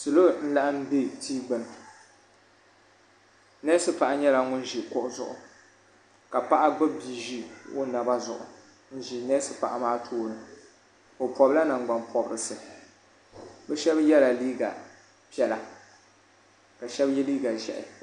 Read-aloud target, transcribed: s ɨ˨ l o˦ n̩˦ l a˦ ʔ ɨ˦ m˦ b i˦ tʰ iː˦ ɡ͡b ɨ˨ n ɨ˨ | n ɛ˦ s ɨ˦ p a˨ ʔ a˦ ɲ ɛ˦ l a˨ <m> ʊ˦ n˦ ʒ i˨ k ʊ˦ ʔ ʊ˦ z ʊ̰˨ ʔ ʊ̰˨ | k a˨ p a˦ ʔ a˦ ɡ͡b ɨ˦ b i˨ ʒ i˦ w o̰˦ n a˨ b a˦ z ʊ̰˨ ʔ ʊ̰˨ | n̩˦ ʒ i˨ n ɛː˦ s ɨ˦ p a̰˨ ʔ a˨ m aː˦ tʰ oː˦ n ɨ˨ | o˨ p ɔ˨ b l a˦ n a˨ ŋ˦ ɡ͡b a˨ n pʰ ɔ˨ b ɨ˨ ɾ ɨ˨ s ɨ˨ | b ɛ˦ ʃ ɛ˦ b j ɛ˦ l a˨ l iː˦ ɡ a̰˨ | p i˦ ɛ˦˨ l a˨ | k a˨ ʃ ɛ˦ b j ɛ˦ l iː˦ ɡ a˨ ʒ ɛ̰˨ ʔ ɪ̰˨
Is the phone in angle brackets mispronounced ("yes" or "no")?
yes